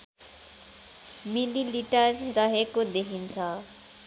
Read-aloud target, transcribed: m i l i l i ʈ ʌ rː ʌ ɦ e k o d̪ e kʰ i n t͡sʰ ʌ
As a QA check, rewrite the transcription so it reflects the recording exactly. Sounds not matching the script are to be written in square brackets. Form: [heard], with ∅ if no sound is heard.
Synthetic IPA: m i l i l i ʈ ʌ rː ʌ ɦ e k o d̪ e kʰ i n t͡sʰ ʌ